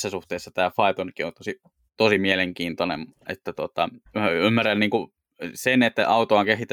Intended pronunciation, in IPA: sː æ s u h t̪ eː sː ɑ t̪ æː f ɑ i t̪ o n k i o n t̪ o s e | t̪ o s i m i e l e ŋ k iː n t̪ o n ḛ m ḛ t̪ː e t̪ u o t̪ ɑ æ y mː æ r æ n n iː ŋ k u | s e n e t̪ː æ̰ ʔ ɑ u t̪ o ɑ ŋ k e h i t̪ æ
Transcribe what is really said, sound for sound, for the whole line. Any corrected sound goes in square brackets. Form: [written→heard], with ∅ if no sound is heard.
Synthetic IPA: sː æ s u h t̪ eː sː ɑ t̪ æː f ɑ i t̪ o n k i o n t̪ o s [e→i] | t̪ o s i m i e l e ŋ k iː n t̪ o n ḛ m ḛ t̪ː [e→æ] t̪ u o t̪ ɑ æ y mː æ r æ n n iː ŋ k u | s e n e t̪ː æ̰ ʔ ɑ u t̪ o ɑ ŋ k e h i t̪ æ